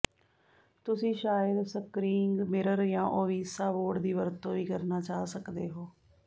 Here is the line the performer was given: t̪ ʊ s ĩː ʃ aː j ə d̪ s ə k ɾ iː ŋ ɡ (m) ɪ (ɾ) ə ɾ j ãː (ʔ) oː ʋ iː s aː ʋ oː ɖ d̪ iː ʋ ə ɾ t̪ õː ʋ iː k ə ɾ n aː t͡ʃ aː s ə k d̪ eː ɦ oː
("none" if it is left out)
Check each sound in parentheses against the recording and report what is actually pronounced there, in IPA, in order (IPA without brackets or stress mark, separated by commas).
m, ɾ, ʔ